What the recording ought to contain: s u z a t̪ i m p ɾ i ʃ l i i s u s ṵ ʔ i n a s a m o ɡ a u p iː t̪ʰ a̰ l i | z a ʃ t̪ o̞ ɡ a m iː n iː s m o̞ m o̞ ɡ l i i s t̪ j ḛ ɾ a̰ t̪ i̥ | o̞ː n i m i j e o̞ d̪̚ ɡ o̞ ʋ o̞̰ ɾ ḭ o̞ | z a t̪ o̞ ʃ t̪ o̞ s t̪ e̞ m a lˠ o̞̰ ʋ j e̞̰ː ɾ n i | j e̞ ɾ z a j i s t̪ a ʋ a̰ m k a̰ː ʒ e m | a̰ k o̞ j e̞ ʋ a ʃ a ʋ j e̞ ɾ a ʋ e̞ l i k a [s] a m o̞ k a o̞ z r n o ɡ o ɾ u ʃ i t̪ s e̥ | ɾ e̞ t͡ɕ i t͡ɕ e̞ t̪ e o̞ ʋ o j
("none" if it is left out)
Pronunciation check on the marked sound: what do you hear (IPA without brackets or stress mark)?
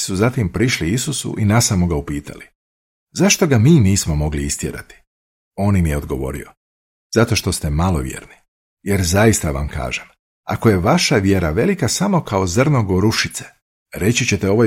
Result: s